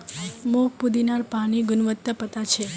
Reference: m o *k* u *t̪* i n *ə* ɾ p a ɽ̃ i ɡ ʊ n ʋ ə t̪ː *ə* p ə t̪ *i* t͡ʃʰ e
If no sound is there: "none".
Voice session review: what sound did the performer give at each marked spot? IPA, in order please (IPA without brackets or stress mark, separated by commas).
p, d̪, a, ə, a